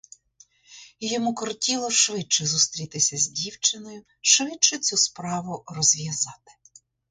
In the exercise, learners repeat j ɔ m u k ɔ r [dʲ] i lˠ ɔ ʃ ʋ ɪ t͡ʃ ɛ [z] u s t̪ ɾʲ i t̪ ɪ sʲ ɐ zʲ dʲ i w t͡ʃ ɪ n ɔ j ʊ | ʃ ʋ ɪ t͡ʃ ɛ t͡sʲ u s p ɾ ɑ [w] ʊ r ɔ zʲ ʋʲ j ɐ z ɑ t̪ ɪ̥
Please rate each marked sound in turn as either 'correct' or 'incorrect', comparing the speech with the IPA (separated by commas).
incorrect, correct, incorrect